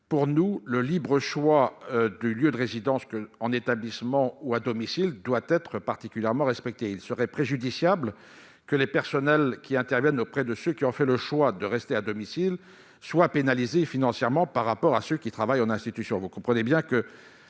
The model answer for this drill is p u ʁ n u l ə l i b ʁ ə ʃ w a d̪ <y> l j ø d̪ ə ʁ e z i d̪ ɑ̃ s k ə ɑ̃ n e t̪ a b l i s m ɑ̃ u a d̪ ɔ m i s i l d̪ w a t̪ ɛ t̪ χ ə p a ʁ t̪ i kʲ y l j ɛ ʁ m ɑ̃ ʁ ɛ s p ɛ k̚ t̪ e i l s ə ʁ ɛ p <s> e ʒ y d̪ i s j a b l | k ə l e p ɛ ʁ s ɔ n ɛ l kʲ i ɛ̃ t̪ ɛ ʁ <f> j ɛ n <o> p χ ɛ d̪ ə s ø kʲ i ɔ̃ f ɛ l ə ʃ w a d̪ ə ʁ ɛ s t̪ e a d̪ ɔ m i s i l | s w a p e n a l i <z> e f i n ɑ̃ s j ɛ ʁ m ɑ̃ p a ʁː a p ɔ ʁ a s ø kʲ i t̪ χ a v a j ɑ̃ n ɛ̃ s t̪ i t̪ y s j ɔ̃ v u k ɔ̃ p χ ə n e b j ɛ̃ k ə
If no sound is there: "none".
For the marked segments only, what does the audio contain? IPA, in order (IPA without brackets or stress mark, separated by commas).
y, χ, v, o, z